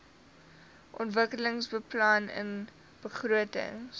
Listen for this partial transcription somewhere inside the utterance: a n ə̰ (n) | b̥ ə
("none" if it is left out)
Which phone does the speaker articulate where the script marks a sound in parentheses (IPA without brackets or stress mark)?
n